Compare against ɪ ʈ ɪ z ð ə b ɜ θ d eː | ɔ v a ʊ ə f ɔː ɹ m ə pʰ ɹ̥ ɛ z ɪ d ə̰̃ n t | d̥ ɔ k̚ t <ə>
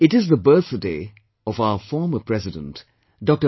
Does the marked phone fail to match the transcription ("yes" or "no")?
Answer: no